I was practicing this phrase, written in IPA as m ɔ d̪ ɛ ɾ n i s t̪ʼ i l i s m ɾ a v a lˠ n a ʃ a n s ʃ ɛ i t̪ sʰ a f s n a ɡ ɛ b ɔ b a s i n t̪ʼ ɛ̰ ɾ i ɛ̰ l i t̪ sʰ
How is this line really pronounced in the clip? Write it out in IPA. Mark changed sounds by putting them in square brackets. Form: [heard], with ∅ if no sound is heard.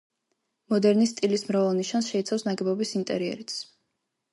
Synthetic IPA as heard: m ɔ d̪ ɛ ɾ n i s t̪ʼ i l i s m ɾ a v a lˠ n [i] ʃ a n s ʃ ɛ i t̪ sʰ a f s n a ɡ ɛ b ɔ b [i] s i n t̪ʼ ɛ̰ ɾ i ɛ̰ [ɾ] i t̪ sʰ